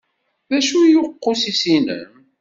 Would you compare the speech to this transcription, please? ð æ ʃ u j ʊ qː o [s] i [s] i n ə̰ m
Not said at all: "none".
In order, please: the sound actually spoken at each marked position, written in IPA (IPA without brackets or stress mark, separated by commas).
s, s